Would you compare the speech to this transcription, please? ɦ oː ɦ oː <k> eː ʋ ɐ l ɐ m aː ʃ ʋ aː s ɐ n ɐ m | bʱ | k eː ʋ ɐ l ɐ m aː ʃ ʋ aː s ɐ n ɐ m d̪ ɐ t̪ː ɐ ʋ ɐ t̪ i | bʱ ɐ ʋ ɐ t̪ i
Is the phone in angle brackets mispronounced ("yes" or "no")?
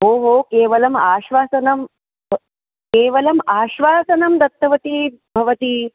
no